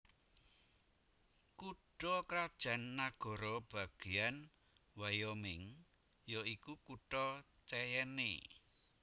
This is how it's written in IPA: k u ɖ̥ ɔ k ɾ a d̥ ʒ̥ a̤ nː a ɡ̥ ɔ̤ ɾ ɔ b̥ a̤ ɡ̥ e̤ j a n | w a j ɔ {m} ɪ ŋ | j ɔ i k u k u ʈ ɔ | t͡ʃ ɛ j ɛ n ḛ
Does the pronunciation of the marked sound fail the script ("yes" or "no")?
no